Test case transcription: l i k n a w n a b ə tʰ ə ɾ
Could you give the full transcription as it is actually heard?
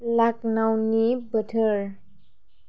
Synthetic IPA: l a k n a w n i b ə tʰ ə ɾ